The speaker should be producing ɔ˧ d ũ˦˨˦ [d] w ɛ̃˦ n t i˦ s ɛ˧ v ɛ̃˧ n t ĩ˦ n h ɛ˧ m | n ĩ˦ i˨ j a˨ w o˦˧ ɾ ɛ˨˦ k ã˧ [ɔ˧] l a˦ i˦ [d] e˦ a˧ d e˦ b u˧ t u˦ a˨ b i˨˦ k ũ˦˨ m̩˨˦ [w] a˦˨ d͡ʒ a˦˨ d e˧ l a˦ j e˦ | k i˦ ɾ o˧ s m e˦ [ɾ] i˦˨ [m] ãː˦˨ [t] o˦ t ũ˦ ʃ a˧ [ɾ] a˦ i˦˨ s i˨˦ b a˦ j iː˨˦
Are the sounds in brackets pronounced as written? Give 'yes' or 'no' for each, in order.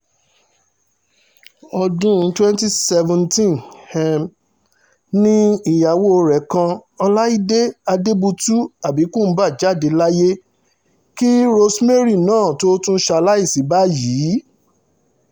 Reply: no, yes, yes, no, yes, no, yes, no

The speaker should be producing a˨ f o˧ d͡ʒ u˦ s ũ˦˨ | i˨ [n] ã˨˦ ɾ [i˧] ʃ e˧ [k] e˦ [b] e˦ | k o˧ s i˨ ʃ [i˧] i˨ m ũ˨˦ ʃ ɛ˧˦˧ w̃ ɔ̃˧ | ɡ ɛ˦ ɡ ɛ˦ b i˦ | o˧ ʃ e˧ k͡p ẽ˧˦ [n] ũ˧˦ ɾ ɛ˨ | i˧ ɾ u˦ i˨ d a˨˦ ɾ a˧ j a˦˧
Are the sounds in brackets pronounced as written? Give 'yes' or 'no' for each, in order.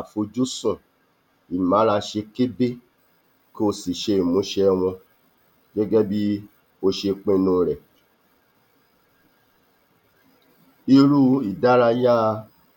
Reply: no, no, yes, yes, no, yes

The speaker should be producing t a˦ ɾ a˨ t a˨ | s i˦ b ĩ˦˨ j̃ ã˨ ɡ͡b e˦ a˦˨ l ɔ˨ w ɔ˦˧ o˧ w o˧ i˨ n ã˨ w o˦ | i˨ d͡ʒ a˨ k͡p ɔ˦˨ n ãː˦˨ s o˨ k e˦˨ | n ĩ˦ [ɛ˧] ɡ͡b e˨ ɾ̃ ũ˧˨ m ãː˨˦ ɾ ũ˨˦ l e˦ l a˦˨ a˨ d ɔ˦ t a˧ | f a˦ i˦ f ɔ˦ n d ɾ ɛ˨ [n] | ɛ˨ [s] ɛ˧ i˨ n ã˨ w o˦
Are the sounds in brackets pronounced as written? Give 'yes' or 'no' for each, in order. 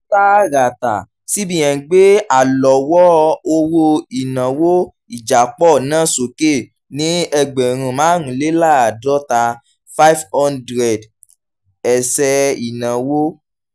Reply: yes, no, yes

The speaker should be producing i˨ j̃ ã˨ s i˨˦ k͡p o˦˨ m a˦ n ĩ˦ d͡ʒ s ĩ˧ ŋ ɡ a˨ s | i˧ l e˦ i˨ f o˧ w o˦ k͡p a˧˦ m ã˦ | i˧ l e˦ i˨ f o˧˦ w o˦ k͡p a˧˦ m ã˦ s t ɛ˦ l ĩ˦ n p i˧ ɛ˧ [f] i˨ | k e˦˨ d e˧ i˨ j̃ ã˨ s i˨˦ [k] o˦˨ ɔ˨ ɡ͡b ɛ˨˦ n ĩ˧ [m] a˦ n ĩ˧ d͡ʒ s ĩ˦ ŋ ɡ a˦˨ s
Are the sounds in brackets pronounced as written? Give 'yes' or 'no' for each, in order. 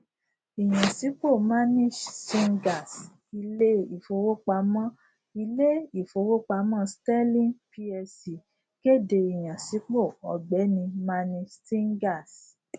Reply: no, no, yes

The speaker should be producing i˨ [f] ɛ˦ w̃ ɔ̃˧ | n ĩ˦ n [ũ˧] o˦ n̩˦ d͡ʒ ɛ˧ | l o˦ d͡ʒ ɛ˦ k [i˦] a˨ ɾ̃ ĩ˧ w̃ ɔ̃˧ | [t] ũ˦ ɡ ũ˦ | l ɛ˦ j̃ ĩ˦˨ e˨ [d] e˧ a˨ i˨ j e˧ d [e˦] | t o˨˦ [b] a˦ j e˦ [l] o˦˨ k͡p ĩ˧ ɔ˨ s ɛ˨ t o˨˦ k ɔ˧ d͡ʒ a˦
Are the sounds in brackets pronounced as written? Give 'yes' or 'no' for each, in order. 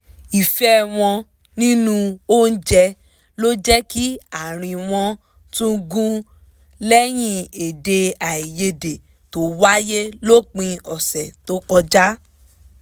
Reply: yes, yes, yes, yes, yes, no, no, yes

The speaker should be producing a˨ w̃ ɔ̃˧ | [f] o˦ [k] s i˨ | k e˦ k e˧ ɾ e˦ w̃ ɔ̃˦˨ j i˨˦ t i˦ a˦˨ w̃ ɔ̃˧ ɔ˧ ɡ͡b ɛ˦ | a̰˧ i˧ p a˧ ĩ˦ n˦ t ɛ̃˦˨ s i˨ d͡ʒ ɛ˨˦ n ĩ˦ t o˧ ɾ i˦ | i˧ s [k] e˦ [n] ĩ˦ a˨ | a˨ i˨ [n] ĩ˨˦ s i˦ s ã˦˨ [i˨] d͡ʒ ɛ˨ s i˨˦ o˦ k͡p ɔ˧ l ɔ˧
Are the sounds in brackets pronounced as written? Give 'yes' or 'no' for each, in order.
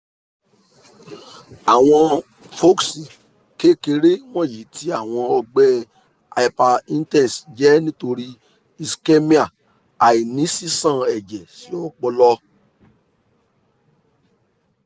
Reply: yes, yes, yes, no, yes, no

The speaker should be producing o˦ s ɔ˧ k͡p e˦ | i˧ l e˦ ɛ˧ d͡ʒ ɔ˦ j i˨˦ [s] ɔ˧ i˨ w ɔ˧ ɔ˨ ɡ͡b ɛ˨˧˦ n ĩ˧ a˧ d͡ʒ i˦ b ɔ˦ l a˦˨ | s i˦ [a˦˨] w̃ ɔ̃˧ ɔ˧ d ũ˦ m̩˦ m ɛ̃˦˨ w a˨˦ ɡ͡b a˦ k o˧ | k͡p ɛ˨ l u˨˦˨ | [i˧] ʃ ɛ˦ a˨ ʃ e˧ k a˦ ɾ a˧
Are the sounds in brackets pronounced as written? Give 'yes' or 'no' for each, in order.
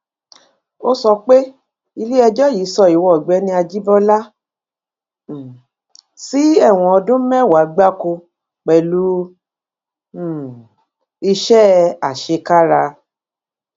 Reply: yes, no, yes

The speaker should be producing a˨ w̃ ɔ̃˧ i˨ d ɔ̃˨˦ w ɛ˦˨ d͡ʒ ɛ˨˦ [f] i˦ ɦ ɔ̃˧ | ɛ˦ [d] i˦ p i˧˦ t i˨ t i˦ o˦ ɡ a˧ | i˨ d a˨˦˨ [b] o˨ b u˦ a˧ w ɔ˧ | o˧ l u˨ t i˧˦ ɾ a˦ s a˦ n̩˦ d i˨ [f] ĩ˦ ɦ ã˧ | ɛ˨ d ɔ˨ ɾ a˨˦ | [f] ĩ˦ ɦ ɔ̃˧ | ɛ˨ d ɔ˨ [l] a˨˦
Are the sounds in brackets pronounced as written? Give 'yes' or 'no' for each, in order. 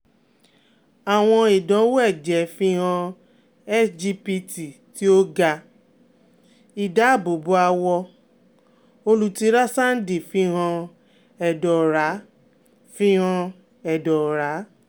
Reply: yes, no, yes, yes, yes, no

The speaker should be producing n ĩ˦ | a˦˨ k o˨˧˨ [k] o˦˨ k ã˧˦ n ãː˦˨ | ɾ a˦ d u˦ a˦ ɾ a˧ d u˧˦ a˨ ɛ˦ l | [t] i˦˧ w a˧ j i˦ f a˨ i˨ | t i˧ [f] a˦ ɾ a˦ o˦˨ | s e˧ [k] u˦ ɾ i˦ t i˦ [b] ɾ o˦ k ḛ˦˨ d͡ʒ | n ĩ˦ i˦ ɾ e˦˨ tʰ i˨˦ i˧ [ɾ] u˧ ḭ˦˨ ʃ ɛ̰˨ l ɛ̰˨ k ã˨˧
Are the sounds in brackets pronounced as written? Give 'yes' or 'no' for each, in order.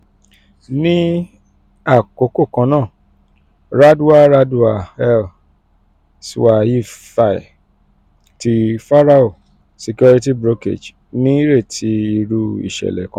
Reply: yes, no, yes, yes, yes, yes

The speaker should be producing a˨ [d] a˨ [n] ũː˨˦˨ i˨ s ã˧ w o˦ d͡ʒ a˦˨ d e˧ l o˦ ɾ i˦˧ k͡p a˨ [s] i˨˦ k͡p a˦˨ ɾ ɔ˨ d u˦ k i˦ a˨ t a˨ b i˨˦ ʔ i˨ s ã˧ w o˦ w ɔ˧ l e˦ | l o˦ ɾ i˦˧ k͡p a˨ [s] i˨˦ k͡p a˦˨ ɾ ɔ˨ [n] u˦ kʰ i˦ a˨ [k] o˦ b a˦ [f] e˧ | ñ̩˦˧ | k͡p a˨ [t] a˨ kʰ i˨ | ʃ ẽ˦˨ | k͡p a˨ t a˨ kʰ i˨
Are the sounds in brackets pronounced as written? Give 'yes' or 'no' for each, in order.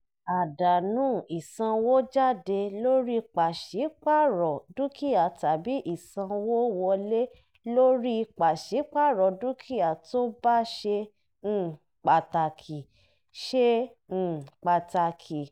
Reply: yes, yes, no, no, no, no, no, yes

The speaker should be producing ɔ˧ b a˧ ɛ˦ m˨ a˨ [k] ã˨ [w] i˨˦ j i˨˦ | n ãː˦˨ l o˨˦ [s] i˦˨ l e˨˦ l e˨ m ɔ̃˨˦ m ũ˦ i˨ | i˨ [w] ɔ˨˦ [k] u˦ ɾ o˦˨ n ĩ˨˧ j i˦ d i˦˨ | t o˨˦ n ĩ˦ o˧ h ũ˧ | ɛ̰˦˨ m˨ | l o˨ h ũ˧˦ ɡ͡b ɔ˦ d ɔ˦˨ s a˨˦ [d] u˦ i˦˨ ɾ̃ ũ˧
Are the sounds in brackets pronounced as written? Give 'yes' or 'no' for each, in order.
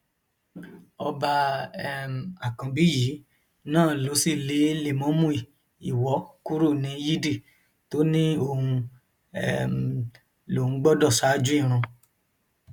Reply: yes, no, yes, yes, yes, no

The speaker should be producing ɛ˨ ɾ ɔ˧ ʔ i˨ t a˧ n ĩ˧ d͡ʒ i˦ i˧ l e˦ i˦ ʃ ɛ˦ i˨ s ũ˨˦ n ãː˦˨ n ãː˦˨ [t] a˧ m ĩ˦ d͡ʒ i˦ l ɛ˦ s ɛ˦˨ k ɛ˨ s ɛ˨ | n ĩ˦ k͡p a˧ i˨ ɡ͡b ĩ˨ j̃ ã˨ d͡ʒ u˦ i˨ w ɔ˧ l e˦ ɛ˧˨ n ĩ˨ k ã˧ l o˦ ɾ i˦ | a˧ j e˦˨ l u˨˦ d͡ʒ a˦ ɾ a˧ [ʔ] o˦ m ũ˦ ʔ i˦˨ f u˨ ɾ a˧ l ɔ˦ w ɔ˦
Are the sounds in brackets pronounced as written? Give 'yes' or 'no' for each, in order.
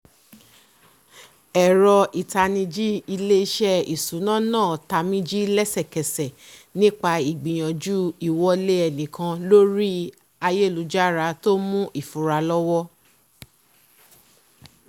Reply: yes, no

